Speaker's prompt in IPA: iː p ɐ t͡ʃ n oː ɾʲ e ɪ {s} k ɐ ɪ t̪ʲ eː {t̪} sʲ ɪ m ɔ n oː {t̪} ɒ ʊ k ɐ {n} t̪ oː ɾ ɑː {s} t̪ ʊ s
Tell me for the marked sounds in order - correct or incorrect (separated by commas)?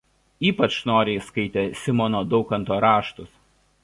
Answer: correct, incorrect, incorrect, correct, incorrect